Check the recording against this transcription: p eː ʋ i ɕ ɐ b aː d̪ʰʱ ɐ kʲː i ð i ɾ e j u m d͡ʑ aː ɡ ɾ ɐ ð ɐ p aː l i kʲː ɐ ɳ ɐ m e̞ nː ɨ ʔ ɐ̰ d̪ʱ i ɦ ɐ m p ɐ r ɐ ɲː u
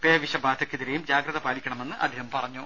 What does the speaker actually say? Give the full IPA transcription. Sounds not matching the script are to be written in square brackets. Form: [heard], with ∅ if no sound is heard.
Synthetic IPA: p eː ʋ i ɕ ɐ b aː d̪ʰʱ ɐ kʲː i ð i ɾ e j u m d͡ʑ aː ɡ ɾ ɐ ð ɐ p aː l i kʲː ɐ ɳ ɐ m e̞ nː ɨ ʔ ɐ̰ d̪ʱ i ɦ ɐ m p ɐ r ɐ ɲː u

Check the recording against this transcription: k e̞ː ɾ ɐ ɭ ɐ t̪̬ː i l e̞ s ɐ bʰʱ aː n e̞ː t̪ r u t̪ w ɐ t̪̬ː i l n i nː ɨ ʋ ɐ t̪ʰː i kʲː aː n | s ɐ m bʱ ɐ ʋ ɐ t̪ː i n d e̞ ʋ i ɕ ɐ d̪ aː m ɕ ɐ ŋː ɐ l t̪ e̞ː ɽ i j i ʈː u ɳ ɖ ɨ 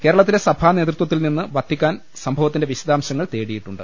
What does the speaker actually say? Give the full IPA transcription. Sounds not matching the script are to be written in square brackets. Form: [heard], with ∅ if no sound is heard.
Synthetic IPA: k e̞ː ɾ ɐ ɭ ɐ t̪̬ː i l e̞ s ɐ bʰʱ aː n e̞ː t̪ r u t̪ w ɐ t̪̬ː i l n i nː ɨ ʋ ɐ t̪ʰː i kʲː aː n | s ɐ m bʱ ɐ ʋ ɐ t̪ː i n d e̞ ʋ i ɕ ɐ d̪ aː m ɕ ɐ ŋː ɐ [ɭ] t̪ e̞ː ɽ i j i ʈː u ɳ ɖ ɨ

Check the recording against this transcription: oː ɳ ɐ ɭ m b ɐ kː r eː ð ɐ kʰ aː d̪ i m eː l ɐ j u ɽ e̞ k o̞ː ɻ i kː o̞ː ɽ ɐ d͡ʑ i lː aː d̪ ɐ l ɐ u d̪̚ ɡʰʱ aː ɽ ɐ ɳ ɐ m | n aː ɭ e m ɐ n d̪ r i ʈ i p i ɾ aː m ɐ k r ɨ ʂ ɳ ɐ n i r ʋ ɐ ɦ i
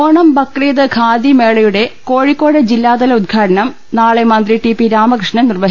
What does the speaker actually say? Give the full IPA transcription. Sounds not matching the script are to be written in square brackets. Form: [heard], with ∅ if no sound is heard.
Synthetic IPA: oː ɳ ɐ [∅] m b ɐ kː r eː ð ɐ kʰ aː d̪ i m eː [ɭ] ɐ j u ɽ e̞ k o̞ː ɻ i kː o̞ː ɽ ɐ d͡ʑ i lː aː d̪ ɐ l ɐ u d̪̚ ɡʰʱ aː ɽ ɐ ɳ ɐ m | n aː ɭ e m ɐ n d̪ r i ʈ i p i ɾ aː m ɐ k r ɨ ʂ ɳ ɐ n i r ʋ ɐ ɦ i

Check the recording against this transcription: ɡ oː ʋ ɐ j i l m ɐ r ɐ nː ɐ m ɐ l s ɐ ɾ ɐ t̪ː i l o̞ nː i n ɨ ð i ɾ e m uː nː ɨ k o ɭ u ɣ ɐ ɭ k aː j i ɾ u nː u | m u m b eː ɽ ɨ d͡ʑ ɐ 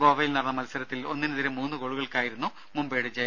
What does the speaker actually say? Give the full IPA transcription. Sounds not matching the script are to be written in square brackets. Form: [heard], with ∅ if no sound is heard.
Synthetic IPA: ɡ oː ʋ ɐ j i l [n] ɐ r ɐ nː ɐ m ɐ l s ɐ ɾ ɐ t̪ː i l o̞ nː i n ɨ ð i ɾ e m uː nː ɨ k o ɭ u ɣ ɐ ɭ k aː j i ɾ u nː u | m u m b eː ɽ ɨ d͡ʑ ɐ

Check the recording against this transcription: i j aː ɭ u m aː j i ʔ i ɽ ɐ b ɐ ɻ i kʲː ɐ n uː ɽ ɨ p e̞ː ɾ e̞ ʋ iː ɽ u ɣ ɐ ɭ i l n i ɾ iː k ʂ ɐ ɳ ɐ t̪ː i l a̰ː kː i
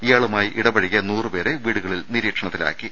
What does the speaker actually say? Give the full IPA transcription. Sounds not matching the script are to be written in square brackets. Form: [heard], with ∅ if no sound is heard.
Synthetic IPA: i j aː ɭ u m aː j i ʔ i ɽ ɐ b ɐ ɻ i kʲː ɐ n uː [r] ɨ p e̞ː ɾ e̞ ʋ iː ɽ u ɣ ɐ ɭ i l n i ɾ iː k ʂ ɐ ɳ ɐ t̪ː i l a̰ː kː i

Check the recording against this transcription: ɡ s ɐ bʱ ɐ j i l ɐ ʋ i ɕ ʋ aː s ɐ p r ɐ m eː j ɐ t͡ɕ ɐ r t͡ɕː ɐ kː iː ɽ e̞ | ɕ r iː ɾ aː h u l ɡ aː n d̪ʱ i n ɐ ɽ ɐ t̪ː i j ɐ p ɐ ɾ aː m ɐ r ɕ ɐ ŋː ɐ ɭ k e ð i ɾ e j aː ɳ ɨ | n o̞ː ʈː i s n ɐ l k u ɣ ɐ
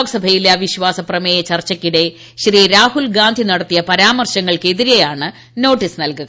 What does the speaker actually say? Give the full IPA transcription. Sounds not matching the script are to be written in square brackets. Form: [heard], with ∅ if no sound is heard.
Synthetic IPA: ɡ s ɐ bʱ ɐ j i l ɐ ʋ i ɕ ʋ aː s ɐ p r ɐ m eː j ɐ t͡ɕ ɐ r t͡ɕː ɐ kː [i] ɽ e̞ | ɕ r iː ɾ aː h u l ɡ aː n d̪ʱ i n ɐ ɽ ɐ t̪ː i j ɐ p ɐ ɾ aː m ɐ r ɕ ɐ ŋː ɐ ɭ k e ð i ɾ e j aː ɳ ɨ | n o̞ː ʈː i s n ɐ l k u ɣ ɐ

